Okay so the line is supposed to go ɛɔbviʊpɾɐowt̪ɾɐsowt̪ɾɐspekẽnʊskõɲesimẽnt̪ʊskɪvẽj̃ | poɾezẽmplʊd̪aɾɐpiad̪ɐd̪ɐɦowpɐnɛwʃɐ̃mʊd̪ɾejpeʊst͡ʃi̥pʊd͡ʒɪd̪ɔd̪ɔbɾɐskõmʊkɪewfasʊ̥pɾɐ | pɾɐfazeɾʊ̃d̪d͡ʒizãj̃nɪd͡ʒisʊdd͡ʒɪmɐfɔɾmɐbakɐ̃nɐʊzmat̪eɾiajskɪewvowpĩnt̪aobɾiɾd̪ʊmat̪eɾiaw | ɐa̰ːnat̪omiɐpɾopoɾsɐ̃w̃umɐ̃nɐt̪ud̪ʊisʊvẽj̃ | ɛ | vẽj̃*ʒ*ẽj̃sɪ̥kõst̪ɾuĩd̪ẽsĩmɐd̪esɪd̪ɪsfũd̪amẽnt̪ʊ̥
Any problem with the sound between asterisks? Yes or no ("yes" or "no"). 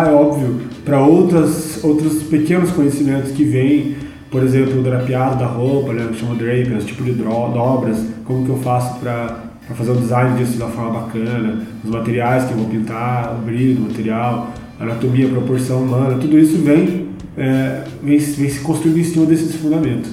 yes